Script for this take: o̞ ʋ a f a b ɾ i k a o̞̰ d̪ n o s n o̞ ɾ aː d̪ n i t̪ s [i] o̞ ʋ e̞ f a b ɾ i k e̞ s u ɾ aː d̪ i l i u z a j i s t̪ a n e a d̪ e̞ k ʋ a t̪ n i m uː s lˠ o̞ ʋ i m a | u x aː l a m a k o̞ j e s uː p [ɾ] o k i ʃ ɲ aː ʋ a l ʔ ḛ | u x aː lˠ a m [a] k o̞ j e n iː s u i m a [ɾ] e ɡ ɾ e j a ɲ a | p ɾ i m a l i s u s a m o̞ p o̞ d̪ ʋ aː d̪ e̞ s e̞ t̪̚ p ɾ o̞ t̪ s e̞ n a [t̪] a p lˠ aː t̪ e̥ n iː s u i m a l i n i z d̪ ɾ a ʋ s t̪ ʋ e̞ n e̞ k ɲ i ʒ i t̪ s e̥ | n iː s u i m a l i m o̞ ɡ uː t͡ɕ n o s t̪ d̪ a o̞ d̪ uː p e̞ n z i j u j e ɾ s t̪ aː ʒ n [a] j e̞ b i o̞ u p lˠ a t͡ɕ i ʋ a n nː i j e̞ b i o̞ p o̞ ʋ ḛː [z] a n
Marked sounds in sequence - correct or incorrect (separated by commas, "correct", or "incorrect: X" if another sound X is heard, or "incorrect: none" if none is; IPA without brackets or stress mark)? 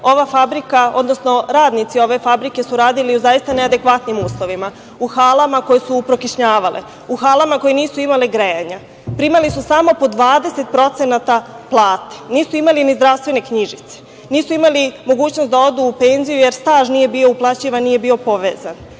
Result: correct, correct, correct, incorrect: l, correct, incorrect: i, correct